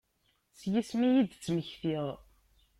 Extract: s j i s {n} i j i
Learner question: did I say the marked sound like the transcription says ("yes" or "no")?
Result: no